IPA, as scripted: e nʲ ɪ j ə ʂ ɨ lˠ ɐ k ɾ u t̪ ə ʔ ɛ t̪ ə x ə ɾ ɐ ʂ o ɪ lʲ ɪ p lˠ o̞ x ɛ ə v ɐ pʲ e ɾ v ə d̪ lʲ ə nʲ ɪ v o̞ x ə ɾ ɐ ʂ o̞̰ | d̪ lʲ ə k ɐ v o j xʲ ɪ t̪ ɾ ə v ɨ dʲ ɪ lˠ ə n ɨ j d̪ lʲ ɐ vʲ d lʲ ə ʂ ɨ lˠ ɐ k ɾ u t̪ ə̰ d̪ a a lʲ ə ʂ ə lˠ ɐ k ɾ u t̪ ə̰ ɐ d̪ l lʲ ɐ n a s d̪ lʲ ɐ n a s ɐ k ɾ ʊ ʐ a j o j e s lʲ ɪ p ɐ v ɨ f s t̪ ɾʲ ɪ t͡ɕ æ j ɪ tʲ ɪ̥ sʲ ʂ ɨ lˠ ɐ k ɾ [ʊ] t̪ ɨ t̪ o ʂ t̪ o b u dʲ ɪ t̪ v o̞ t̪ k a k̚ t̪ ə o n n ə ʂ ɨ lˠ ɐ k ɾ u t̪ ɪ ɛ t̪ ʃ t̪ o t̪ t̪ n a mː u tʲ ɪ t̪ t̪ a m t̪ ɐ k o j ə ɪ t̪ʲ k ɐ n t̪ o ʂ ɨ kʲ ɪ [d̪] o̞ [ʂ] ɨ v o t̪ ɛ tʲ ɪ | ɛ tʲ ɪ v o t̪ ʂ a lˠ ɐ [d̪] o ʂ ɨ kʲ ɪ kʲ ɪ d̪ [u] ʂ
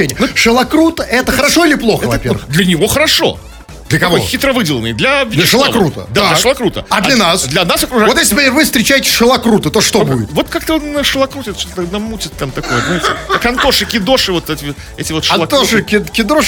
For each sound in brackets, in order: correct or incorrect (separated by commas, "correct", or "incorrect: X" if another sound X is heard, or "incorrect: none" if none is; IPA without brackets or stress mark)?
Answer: incorrect: u, correct, correct, incorrect: t̪, incorrect: o